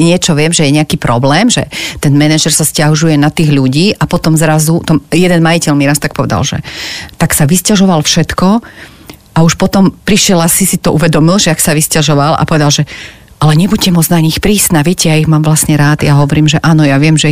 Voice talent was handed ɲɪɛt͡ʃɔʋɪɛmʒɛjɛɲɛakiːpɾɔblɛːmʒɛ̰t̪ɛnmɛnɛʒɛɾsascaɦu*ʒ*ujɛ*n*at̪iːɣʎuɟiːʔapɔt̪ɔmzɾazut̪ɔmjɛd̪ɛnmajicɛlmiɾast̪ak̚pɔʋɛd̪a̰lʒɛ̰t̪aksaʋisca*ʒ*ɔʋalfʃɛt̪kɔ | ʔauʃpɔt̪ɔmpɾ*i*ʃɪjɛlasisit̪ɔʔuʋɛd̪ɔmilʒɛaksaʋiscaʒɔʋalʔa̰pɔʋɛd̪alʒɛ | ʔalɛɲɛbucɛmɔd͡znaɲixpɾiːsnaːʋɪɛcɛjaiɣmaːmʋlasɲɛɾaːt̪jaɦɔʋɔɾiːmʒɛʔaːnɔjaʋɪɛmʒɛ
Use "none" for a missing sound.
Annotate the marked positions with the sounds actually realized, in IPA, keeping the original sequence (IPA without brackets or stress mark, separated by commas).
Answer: ʒ, n, ʒ, i